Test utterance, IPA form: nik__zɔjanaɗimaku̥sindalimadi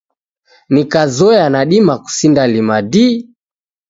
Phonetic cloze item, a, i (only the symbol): a